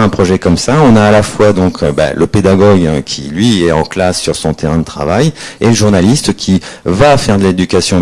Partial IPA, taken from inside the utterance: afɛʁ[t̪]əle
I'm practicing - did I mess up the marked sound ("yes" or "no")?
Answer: yes